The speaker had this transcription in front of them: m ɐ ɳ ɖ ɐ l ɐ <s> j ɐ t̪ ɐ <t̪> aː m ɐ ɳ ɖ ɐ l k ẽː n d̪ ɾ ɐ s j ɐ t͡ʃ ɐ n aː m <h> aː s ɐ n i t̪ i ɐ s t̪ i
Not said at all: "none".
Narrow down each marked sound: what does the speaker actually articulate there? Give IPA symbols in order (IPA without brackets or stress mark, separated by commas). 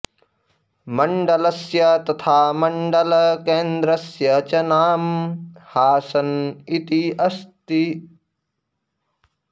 s, t̪ʰ, h